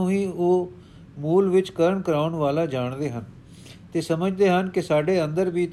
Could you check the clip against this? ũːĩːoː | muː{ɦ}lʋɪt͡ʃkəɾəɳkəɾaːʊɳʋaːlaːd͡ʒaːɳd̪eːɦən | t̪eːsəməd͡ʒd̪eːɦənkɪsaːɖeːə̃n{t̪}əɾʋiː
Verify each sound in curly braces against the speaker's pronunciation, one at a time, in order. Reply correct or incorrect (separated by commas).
incorrect, incorrect